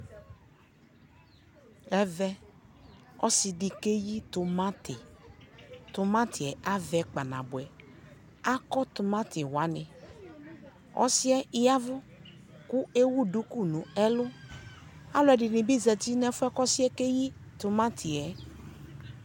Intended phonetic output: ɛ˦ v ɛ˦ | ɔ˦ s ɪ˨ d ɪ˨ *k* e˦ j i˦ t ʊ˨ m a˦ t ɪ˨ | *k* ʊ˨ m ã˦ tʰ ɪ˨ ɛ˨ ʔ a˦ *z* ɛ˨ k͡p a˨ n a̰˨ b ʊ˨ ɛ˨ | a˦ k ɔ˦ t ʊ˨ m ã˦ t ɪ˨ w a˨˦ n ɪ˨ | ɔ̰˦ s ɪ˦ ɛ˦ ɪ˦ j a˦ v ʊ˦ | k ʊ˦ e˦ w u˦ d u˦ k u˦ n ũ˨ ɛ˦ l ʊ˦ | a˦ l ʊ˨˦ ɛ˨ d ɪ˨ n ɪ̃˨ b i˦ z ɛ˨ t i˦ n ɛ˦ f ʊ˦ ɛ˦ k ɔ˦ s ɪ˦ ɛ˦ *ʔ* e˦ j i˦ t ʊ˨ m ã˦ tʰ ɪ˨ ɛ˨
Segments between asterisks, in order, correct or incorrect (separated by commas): correct, incorrect, incorrect, incorrect